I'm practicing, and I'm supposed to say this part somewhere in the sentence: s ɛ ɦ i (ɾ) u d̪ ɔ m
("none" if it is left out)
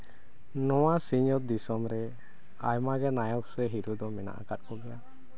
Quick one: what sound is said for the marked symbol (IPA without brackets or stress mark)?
ɾ